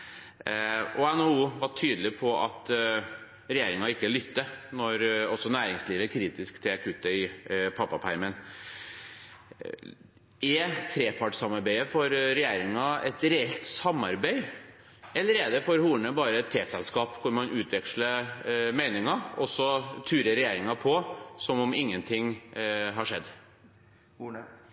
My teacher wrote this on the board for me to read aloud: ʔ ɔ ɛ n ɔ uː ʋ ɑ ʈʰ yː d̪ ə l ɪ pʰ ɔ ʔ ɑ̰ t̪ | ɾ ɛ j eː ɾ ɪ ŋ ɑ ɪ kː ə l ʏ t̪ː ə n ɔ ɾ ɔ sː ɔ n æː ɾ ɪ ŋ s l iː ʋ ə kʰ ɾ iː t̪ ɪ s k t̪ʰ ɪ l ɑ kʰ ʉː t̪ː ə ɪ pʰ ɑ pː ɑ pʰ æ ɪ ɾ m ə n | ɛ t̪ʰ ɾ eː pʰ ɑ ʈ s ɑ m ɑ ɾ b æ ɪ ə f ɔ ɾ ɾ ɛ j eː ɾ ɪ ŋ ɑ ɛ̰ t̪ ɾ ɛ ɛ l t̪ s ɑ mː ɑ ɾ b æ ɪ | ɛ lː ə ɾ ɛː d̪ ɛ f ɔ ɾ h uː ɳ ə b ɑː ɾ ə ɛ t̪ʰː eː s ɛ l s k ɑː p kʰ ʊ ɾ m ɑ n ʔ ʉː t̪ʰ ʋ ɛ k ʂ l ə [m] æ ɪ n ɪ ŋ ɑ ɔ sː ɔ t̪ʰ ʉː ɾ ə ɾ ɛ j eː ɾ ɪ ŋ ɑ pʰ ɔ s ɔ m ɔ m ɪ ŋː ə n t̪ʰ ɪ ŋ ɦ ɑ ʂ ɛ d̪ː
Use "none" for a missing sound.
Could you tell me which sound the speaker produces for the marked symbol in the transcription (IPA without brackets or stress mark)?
m